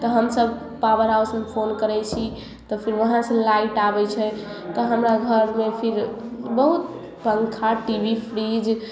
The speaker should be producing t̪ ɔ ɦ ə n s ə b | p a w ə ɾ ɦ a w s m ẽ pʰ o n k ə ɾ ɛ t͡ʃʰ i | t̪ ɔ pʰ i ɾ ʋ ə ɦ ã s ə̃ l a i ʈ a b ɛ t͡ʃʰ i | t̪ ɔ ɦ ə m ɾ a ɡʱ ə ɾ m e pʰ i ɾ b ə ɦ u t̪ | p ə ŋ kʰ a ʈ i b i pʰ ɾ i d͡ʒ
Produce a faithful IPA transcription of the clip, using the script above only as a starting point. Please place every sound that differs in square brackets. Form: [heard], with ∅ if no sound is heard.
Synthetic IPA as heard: t̪ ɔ ɦ ə [m] s ə b | p a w ə ɾ ɦ a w s m [e] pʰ o n k ə ɾ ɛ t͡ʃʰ i | t̪ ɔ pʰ i ɾ ʋ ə ɦ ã s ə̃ l a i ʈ a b ɛ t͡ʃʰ [ɛ] | t̪ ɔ ɦ ə m ɾ a ɡʱ ə ɾ m e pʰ i ɾ b ə ɦ u t̪ | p ə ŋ kʰ a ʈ i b i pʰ ɾ i d͡ʒ